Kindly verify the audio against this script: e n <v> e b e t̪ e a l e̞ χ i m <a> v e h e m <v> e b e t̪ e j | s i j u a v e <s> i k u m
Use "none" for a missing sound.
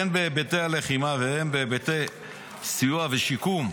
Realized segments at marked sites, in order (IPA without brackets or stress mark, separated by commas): b, a, b, ʃ